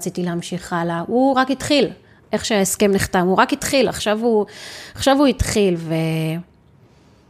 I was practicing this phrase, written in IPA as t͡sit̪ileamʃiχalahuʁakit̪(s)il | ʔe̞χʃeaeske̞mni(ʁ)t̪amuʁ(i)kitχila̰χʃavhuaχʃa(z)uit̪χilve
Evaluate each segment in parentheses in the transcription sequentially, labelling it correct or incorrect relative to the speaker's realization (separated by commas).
incorrect, incorrect, incorrect, incorrect